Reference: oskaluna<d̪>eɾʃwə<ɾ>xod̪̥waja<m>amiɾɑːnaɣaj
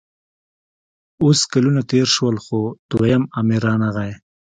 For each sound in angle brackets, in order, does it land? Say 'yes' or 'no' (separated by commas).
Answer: no, no, yes